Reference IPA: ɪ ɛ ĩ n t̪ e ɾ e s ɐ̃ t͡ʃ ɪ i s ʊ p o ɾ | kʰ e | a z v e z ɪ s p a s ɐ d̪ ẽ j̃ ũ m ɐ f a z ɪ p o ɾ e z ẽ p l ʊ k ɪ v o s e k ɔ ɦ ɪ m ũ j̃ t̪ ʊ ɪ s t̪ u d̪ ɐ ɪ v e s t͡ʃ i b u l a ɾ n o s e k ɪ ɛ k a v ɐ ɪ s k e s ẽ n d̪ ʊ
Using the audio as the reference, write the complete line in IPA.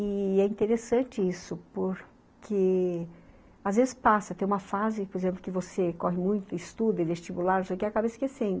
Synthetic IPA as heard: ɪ ɛ ĩ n t̪ e ɾ e s ɐ̃ t͡ʃ ɪ i s ʊ p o ɾ | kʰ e | a z v e z ɪ s p a s ɐ t̪ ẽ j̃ ũ m ɐ f a z ɪ p o ɾ e z ẽ p l ʊ k ɪ v o s e k ɔ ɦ ɪ m ũ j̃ t̪ ʊ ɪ s t̪ u d̪ ɐ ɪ v e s t͡ʃ i b u l a ɾ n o s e k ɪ a k a b ɐ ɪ s k e s ẽ n d̪ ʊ